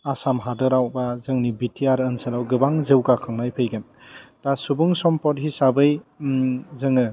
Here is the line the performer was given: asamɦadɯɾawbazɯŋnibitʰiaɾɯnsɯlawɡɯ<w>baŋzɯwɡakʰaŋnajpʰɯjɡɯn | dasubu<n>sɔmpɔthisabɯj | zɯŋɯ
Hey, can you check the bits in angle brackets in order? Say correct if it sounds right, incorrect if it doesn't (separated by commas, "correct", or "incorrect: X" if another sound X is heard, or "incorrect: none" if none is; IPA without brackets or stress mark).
incorrect: none, incorrect: ŋ